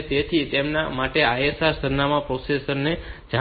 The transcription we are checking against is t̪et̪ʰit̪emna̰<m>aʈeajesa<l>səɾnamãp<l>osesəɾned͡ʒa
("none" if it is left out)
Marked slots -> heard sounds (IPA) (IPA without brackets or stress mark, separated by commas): m, ɾ, ɾ